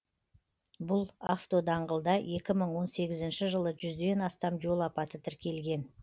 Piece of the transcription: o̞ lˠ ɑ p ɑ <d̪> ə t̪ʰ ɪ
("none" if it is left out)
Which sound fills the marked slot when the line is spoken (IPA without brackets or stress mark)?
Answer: t̪